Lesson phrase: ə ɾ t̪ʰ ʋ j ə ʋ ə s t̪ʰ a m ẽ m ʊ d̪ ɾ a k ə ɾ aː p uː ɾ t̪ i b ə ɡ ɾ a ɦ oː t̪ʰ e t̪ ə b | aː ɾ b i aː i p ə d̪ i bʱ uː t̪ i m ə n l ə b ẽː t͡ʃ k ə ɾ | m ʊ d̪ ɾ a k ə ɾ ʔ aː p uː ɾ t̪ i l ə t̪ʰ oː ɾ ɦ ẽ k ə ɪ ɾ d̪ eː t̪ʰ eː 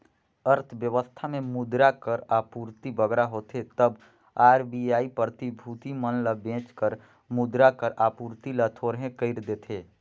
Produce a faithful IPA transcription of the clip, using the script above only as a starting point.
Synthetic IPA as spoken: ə ɾ t̪ʰ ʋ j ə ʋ ə s t̪ʰ a m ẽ m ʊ d̪ ɾ a k ə ɾ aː p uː ɾ t̪ i b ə ɡ ɾ a ɦ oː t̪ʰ e t̪ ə b | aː ɾ b i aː i p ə t̪ i bʱ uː t̪ i m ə n l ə b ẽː t͡ʃ k ə ɾ | m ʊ d̪ ɾ a k ə ɾ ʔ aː p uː ɾ t̪ i l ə t̪ʰ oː ɾ ɦ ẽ k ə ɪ ɾ d̪ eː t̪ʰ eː